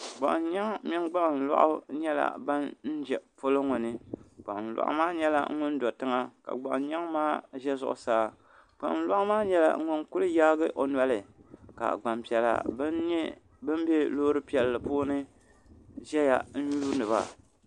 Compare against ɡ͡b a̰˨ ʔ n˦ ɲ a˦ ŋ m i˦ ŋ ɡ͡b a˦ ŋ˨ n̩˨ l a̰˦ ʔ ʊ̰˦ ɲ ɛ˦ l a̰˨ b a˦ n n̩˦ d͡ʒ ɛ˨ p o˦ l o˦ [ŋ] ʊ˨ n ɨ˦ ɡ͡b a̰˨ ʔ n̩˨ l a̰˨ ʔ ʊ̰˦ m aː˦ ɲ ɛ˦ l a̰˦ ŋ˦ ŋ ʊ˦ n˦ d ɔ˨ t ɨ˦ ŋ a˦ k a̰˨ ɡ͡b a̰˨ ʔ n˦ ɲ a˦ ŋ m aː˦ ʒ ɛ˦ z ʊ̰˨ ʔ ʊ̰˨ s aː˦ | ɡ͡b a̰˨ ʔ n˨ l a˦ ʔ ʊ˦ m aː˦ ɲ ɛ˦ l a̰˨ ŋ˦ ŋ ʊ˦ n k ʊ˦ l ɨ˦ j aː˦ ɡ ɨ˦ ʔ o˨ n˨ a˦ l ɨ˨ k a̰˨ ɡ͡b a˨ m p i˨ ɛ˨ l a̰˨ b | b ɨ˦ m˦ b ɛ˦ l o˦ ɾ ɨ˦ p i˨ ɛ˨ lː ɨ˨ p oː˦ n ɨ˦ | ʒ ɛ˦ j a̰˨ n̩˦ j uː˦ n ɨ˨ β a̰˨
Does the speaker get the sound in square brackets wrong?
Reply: no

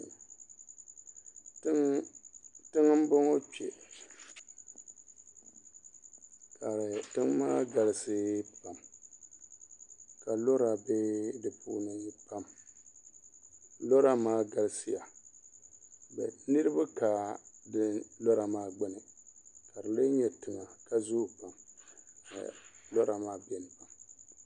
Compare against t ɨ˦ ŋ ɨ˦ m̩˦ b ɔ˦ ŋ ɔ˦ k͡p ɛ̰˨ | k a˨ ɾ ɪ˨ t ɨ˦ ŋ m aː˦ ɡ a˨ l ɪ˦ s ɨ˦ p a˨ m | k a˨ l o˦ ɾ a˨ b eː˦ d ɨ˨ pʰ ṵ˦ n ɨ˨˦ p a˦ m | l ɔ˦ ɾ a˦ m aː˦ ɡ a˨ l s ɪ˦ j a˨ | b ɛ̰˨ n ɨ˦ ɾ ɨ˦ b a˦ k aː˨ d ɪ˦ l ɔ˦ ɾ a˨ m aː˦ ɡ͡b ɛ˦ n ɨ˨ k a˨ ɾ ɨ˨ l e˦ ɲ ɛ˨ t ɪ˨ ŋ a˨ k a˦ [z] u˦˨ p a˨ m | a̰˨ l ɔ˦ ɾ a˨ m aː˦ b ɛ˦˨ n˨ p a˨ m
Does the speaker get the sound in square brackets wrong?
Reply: no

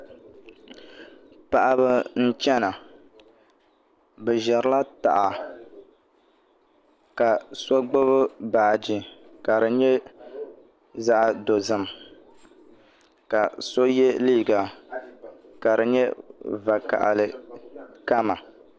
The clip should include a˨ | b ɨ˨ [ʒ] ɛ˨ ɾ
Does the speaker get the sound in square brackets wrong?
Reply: no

